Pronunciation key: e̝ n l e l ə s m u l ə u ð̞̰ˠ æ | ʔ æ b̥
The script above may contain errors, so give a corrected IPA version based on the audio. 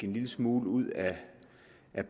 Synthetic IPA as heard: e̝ n l i l ə s m uː l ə u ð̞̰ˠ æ | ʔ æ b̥